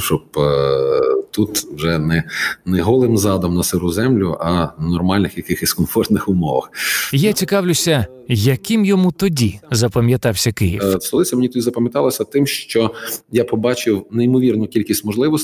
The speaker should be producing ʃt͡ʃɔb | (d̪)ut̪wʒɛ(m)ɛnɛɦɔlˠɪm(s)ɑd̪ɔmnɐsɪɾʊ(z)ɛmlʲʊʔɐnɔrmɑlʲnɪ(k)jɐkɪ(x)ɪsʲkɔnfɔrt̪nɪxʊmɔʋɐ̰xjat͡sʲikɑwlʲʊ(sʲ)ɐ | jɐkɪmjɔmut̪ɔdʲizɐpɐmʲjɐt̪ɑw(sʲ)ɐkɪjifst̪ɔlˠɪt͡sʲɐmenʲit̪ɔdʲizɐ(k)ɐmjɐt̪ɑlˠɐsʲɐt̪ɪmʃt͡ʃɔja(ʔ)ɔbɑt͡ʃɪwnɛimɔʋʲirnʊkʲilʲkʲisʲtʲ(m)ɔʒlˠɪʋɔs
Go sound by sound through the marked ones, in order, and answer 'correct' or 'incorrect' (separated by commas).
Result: incorrect, incorrect, incorrect, correct, incorrect, correct, correct, correct, incorrect, incorrect, correct